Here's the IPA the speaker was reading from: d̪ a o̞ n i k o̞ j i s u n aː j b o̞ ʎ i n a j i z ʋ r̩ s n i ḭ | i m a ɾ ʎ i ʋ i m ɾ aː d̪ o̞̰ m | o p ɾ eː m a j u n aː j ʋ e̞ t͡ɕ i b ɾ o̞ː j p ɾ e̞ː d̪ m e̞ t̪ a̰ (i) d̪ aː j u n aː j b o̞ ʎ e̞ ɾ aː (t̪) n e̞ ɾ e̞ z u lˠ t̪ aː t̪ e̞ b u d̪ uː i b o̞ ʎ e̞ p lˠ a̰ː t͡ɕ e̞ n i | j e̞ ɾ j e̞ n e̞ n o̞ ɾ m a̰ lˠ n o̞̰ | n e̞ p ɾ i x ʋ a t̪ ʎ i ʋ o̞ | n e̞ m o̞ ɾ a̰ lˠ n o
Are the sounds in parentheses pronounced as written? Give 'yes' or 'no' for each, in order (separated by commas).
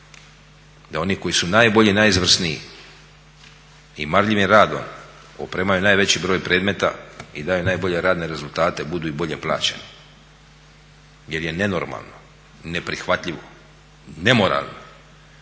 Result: yes, no